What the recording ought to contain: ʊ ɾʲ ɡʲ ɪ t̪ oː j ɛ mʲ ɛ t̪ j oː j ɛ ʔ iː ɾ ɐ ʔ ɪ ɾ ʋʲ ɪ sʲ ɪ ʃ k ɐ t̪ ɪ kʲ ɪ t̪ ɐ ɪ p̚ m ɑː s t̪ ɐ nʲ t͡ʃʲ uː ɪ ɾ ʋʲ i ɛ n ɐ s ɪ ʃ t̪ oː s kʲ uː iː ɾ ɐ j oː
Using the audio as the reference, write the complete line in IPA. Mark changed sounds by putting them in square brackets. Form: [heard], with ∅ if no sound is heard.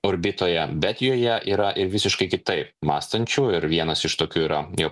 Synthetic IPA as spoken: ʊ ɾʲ [bʲ] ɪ t̪ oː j ɛ [bʲ] ɛ t̪ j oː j ɛ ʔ iː ɾ ɐ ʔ ɪ ɾ ʋʲ ɪ sʲ ɪ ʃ k ɐ [∅] ɪ kʲ ɪ t̪ ɐ ɪ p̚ m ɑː s t̪ ɐ nʲ t͡ʃʲ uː ɪ ɾ ʋʲ i ɛ n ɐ s ɪ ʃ t̪ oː [∅] kʲ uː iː ɾ ɐ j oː